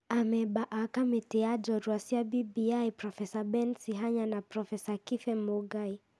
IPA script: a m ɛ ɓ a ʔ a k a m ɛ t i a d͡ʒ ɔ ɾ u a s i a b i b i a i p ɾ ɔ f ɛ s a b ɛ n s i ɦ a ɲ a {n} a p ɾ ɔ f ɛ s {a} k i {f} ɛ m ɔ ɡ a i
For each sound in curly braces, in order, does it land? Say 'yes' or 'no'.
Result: yes, yes, yes

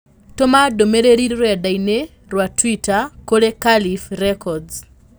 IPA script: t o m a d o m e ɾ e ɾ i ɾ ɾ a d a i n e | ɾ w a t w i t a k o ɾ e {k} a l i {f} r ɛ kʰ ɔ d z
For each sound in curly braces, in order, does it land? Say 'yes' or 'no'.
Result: yes, yes

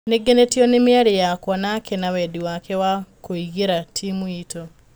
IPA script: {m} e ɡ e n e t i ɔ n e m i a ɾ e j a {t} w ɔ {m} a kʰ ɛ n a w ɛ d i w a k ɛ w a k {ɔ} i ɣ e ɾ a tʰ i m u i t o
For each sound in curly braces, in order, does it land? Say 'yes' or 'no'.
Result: no, no, no, no

